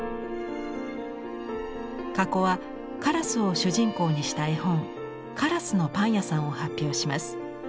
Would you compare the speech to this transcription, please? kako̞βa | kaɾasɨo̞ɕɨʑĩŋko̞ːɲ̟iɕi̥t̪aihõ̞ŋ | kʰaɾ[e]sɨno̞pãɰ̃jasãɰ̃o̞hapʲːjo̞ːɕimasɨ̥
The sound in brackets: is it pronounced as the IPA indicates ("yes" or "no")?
no